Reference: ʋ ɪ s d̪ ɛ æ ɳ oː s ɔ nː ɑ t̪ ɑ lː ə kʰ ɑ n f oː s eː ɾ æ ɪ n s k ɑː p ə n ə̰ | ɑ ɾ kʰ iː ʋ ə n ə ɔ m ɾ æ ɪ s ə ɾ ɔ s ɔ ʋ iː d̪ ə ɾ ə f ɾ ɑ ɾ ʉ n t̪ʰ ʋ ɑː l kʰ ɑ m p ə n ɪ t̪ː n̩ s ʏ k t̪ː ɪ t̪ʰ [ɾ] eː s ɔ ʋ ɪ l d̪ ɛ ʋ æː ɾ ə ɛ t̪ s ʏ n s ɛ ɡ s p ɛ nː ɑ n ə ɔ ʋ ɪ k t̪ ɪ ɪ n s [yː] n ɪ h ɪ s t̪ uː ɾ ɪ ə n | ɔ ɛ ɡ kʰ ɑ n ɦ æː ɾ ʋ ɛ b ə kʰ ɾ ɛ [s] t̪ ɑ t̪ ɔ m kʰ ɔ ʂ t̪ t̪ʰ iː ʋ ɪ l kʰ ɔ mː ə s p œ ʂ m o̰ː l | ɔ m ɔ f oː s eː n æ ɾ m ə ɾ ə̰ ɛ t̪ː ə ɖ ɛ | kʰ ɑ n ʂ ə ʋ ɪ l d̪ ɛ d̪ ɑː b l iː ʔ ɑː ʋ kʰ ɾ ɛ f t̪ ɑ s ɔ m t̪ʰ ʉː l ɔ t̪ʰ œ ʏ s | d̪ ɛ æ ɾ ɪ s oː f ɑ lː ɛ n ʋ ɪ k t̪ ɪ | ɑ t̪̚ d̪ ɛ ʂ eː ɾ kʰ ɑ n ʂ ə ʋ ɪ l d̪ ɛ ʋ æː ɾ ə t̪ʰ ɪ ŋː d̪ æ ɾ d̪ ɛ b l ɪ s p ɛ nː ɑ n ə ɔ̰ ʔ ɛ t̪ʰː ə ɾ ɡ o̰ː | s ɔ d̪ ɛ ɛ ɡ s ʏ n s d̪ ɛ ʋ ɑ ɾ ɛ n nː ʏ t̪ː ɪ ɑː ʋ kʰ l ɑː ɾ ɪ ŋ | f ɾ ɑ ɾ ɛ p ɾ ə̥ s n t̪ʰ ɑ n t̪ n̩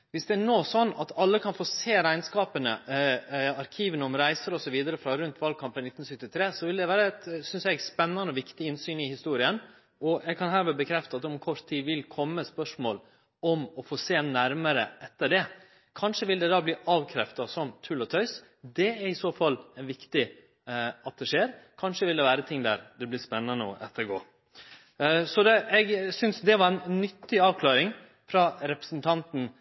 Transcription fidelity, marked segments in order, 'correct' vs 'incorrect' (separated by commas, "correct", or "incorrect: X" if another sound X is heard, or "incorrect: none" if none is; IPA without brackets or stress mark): correct, correct, incorrect: f